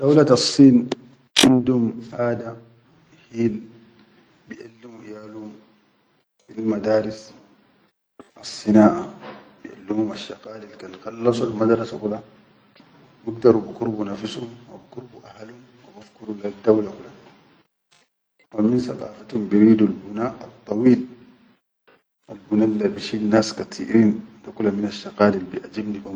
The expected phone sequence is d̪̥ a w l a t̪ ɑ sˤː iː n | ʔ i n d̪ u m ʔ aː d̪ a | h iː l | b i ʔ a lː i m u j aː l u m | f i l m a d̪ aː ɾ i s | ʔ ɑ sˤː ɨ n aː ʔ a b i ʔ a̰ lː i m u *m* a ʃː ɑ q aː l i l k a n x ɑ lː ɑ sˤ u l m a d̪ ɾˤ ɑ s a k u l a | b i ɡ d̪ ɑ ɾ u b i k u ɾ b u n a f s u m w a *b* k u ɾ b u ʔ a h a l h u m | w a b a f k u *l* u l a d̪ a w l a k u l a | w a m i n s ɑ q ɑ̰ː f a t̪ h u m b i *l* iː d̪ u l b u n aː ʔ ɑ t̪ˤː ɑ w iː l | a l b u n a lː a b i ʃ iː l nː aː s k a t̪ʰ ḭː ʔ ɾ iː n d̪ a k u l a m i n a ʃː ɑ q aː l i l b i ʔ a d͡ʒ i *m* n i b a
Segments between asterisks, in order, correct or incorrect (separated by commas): correct, correct, incorrect, incorrect, incorrect